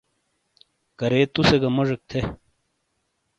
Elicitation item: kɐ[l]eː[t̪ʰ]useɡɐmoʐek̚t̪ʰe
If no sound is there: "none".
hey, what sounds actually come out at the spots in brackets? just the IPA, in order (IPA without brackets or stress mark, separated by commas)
ɾ, t̪